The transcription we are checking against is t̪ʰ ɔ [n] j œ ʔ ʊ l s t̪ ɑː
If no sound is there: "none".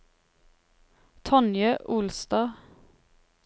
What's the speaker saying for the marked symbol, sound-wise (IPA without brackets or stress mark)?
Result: n